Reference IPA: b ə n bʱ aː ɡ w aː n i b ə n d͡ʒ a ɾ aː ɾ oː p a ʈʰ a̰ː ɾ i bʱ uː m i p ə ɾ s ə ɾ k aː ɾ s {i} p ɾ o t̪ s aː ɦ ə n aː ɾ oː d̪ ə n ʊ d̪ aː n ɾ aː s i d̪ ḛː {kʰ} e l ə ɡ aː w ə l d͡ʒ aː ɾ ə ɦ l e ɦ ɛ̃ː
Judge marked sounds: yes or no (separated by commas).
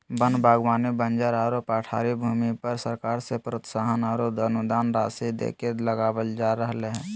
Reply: no, no